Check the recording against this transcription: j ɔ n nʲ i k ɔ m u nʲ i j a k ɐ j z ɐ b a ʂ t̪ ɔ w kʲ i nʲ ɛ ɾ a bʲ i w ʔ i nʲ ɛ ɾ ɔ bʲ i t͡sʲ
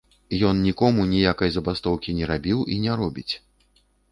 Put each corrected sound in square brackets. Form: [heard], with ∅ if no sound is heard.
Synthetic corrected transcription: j ɔ n nʲ i k ɔ m u nʲ i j a k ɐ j z ɐ b a [s] t̪ ɔ w kʲ i nʲ ɛ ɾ a bʲ i w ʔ i nʲ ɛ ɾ ɔ bʲ i t͡sʲ